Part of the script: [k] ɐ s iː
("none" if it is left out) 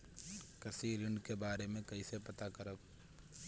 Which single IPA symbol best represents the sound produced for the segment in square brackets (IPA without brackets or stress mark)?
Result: k